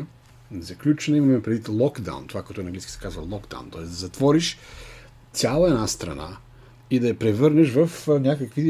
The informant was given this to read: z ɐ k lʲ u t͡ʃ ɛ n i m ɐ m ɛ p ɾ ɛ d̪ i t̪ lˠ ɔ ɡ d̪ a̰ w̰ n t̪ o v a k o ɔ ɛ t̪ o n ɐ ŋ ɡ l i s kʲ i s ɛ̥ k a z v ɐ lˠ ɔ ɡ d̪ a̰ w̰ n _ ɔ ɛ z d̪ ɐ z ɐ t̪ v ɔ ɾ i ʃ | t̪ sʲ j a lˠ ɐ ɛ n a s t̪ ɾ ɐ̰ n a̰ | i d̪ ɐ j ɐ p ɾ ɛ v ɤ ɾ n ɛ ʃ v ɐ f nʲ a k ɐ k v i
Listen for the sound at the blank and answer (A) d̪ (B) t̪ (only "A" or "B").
B